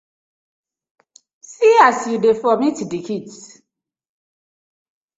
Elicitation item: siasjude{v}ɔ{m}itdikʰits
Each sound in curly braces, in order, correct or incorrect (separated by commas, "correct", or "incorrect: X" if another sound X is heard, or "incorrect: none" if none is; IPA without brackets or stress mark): incorrect: f, correct